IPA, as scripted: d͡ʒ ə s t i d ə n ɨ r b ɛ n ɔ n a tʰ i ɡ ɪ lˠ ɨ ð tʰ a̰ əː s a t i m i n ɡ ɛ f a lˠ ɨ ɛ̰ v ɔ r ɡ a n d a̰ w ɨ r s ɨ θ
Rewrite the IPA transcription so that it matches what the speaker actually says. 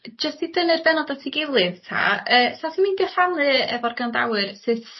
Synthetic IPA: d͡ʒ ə s t i d ə n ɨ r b ɛ n ɔ d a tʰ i ɡ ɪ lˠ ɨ ð tʰ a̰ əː s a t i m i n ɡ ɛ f a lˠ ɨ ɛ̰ v ɔ r ɡ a n d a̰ w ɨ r s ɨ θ